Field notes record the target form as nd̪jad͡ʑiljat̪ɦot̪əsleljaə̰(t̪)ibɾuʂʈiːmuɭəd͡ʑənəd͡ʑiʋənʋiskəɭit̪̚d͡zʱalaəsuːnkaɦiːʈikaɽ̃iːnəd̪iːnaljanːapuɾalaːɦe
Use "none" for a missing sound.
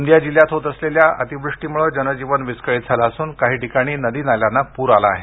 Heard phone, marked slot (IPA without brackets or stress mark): t̪